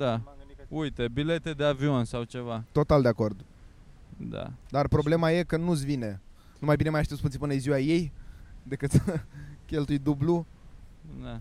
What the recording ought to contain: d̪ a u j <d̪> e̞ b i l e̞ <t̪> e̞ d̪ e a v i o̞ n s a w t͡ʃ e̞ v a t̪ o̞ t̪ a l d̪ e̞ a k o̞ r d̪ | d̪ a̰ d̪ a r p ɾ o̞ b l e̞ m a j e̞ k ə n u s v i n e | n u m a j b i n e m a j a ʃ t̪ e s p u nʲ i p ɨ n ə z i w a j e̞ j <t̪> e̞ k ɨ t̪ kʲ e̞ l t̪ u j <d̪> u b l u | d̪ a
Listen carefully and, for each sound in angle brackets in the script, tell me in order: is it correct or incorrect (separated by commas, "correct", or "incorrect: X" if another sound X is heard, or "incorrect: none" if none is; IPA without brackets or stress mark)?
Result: incorrect: t̪, correct, incorrect: d̪, correct